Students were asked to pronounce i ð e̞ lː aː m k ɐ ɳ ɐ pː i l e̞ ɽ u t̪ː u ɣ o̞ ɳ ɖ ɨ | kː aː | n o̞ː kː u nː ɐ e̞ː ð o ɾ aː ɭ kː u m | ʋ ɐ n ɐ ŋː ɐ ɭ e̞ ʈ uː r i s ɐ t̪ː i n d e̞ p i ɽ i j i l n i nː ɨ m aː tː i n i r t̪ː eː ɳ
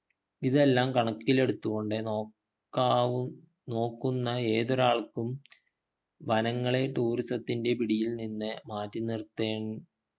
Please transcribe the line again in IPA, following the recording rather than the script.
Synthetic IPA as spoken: i ð e̞ lː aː m k ɐ ɳ ɐ kː i l e̞ ɽ u t̪ː u ɣ o̞ ɳ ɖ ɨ | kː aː | n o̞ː kː u nː ɐ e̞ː ð o ɾ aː ɭ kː u m | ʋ ɐ n ɐ ŋː ɐ ɭ e̞ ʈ uː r i s ɐ t̪ː i n d e̞ p i ɽ i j i l n i nː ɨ m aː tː i n i r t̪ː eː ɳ

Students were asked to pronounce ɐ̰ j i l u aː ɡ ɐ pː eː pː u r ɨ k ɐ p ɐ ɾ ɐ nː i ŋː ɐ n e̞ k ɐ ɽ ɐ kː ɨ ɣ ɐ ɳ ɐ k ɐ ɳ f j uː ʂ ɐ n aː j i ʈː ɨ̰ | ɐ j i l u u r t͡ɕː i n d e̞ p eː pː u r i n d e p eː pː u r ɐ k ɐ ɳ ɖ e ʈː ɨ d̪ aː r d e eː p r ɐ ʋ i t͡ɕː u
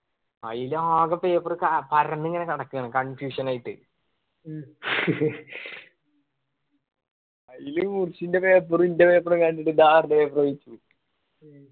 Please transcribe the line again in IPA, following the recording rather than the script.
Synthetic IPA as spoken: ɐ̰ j i l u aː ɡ ɐ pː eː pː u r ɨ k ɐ p ɐ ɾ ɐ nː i ŋː ɐ n e̞ k ɐ ɽ ɐ kː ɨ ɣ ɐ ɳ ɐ k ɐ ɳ f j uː ʂ ɐ n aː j i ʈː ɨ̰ | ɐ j i l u u r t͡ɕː i n d e̞ p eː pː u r i n d e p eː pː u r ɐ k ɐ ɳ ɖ i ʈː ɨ d̪ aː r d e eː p r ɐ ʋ i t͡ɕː u

